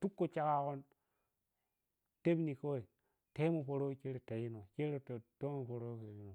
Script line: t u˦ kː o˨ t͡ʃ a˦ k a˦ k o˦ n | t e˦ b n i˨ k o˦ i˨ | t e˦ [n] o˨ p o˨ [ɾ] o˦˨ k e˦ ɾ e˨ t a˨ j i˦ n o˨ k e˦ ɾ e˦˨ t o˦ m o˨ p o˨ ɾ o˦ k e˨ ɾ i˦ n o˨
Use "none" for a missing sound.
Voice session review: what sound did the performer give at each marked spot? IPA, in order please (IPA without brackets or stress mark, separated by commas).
m, ɾ